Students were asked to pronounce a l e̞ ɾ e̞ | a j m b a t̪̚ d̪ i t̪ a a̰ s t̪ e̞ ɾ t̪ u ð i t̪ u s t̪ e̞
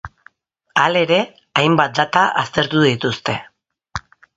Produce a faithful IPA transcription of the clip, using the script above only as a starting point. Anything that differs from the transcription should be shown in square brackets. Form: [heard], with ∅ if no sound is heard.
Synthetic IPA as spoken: a l e̞ ɾ e̞ | a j m b a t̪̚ d̪ [a] t̪ a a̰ s t̪ e̞ ɾ t̪ u ð i t̪ u s t̪ e̞

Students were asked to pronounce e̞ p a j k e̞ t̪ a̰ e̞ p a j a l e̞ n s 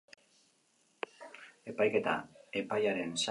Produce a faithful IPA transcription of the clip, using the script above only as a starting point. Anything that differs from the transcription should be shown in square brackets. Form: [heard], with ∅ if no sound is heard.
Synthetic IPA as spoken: e̞ p a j k e̞ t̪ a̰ e̞ p a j a [ɾ] e̞ n s

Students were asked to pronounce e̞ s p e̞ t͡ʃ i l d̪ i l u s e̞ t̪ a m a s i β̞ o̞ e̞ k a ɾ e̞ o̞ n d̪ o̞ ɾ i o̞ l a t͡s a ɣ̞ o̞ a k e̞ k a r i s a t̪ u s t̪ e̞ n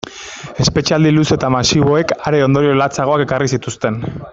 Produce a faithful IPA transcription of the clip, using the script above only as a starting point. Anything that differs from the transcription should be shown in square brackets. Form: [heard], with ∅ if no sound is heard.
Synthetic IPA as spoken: e̞ s p e̞ t͡ʃ [a] l d̪ i l u s e̞ t̪ a m a s i β̞ o̞ e̞ k a ɾ e̞ o̞ n d̪ o̞ ɾ i o̞ l a t͡s a ɣ̞ o̞ a k e̞ k a r i s [i] t̪ u s t̪ e̞ n

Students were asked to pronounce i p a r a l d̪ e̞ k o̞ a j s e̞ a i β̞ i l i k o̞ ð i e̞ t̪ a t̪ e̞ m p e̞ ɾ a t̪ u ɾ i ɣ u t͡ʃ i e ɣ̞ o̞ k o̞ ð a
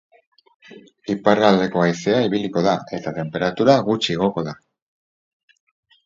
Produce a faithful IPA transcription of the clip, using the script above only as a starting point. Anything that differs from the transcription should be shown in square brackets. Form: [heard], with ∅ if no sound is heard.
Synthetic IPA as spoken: i p a r a l d̪ e̞ k o̞ a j s e̞ a i β̞ i l i k o̞ ð [a] e̞ t̪ a t̪ e̞ m p e̞ ɾ a t̪ u ɾ [a] ɣ u t͡ʃ i e ɣ̞ o̞ k o̞ ð a

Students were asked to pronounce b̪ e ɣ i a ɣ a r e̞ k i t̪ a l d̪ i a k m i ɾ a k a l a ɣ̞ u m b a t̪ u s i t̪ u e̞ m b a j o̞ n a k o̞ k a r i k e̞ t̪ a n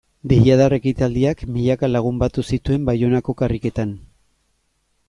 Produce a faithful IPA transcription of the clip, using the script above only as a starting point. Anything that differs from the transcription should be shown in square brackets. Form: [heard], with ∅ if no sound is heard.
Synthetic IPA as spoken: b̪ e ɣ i a [ð] a r e̞ k i t̪ a l d̪ i a k m i [ʎ] a k a l a ɣ̞ u m b a t̪ u s i t̪ u e̞ m b a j o̞ n a k o̞ k a r i k e̞ t̪ a n

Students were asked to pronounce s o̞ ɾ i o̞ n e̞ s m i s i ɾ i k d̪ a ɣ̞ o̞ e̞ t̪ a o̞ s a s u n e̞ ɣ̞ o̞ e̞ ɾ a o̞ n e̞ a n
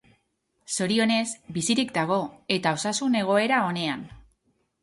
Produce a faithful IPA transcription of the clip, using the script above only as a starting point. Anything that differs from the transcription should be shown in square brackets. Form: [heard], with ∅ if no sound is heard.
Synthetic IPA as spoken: s o̞ ɾ i o̞ n e̞ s [b] i s i ɾ i k d̪ a ɣ̞ o̞ e̞ t̪ a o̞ s a s u n e̞ ɣ̞ o̞ e̞ ɾ a o̞ n e̞ a n

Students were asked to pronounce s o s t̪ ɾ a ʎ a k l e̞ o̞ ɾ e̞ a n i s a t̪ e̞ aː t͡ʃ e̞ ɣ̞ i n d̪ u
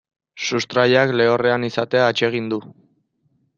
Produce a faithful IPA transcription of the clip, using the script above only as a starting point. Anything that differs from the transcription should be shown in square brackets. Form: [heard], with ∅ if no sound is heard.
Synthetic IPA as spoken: s [u] s t̪ ɾ a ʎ a k l e̞ o̞ [r] e̞ a n i s a t̪ e̞ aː t͡ʃ e̞ ɣ̞ i n d̪ u

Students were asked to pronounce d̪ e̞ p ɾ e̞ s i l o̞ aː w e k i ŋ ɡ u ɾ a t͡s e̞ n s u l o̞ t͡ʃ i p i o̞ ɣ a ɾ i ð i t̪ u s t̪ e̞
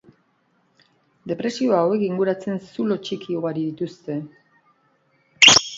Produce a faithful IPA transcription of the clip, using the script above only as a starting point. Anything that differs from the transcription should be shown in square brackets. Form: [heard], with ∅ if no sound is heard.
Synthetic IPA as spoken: d̪ e̞ p ɾ e̞ s i [∅] o̞ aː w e k i ŋ ɡ u ɾ a t͡s e̞ n s u l o̞ t͡ʃ i [k] i o̞ ɣ a ɾ i ð i t̪ u s t̪ e̞

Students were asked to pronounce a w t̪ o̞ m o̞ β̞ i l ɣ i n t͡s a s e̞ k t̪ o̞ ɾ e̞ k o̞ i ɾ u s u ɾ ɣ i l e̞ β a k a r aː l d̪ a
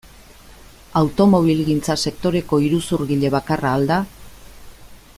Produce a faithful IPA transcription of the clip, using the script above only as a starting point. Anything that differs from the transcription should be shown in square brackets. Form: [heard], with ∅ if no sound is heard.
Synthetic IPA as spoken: a w t̪ o̞ m o̞ β̞ i l ɣ i n t͡s a s e̞ k t̪ o̞ ɾ e̞ k o̞ i ɾ u s u ɾ ɣ i [ʎ] e̞ β a k a r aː l d̪ a

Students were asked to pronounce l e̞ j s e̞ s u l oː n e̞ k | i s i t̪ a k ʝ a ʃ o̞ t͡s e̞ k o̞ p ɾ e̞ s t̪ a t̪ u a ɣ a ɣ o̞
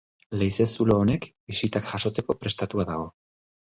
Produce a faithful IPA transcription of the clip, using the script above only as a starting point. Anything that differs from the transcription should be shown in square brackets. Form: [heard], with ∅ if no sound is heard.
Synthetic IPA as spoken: l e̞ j s e̞ s u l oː n e̞ k | i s i t̪ a k ʝ a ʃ o̞ t͡s e̞ k o̞ p ɾ e̞ s t̪ a t̪ u a [ð] a ɣ o̞

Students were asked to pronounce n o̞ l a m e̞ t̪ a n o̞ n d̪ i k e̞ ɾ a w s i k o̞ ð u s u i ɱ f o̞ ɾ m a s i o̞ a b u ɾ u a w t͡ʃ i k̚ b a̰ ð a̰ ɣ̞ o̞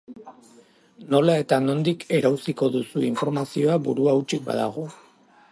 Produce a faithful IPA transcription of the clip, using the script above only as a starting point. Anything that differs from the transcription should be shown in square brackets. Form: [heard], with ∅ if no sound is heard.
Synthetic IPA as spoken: n o̞ l a [∅] e̞ t̪ a n o̞ n d̪ i k e̞ ɾ a w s i k o̞ ð u s u i ɱ f o̞ ɾ m a s i o̞ a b u ɾ u a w t͡ʃ i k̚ b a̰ ð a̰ ɣ̞ o̞

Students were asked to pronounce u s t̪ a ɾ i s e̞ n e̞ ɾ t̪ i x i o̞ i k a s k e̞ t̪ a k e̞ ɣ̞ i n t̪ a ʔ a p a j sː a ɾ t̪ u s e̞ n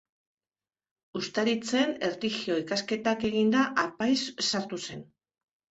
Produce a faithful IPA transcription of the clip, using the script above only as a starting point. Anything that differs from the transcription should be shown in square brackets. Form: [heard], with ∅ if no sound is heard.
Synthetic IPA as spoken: u s t̪ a ɾ i [t͡s] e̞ n e̞ ɾ t̪ i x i o̞ i k a s k e̞ t̪ a k e̞ ɣ̞ i n [d̪] a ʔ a p a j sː a ɾ t̪ u s e̞ n

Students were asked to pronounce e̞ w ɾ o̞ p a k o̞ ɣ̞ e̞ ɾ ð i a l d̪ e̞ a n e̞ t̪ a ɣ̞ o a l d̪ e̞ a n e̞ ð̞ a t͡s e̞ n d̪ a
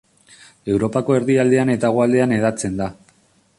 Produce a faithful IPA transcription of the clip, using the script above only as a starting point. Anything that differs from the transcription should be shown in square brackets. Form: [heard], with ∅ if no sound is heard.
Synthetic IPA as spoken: e̞ w ɾ o̞ p a k o̞ [∅] e̞ ɾ ð i a l d̪ e̞ a n e̞ t̪ a ɣ̞ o a l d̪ e̞ a n e̞ ð̞ a t͡s e̞ n d̪ a

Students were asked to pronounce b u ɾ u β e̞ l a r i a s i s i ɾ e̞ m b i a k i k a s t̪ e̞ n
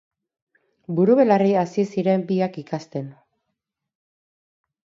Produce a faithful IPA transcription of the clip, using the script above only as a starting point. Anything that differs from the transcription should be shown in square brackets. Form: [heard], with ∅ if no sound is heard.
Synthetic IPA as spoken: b u ɾ u β e̞ l a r i a s i s i ɾ e̞ m b i a k i k a s t̪ e̞ n

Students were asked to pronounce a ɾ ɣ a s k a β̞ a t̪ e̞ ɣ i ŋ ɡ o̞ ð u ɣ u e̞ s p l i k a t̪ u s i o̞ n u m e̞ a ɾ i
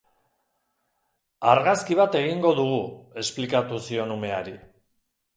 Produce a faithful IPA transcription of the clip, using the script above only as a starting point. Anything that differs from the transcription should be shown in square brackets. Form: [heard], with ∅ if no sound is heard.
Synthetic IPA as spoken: a ɾ ɣ a s k [i] β̞ a t̪ e̞ ɣ i ŋ ɡ o̞ ð u ɣ u e̞ s p l i k a t̪ u s i o̞ n u m e̞ a ɾ i

